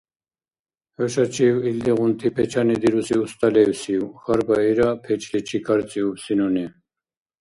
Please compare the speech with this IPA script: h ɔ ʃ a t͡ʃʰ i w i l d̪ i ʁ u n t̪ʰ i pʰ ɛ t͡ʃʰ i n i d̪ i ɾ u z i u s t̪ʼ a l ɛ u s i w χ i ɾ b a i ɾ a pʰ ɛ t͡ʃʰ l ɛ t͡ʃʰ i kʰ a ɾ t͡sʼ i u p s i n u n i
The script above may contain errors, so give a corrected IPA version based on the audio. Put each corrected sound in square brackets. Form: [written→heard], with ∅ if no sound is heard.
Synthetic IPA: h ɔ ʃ a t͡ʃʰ i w i l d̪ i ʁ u n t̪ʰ i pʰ ɛ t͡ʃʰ [i→a] n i d̪ i ɾ u [z→s] i u s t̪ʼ a l ɛ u s i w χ [i→a] ɾ b a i ɾ a pʰ ɛ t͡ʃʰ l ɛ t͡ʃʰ i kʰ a ɾ t͡sʼ i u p s i n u n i